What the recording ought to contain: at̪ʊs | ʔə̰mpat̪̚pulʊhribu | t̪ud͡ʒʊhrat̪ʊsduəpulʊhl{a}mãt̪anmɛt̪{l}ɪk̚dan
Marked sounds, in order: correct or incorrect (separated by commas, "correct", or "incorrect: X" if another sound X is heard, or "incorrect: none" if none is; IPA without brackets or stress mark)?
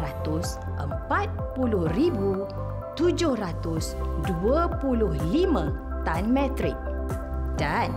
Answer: incorrect: i, incorrect: ɾ